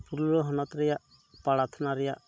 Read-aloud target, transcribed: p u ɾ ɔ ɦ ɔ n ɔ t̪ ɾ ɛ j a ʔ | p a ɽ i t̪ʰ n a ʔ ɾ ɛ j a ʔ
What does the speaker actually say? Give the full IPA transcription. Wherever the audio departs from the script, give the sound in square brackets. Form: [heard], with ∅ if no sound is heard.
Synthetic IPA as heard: p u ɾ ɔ ɦ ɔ n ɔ t̪ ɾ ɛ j a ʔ | p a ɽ [a] t̪ʰ n a [∅] ɾ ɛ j a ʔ